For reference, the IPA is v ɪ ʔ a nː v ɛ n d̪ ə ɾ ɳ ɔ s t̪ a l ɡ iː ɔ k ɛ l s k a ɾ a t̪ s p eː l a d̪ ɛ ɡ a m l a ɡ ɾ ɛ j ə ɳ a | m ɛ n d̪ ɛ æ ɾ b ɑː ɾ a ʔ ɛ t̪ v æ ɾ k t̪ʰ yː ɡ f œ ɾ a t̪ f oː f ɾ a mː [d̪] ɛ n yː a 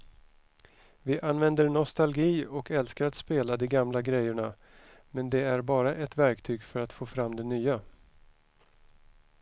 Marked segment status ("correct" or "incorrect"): correct